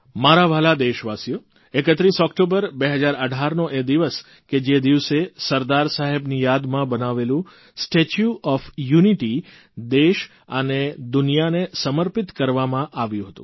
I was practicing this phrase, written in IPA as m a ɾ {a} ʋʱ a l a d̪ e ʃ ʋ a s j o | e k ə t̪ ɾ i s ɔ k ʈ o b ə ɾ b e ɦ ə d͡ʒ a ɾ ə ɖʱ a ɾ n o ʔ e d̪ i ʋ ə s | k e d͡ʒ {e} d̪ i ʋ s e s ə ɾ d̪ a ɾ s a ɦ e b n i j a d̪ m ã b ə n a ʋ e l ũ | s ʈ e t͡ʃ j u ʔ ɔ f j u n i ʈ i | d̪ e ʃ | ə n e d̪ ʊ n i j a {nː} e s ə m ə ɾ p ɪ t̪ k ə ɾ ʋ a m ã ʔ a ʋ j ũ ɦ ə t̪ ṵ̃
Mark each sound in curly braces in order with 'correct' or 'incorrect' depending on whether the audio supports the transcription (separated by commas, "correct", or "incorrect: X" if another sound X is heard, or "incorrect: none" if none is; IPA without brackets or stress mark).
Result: correct, correct, incorrect: n